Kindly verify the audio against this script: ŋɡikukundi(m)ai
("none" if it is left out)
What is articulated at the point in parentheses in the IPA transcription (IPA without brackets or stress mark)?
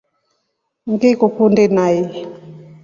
n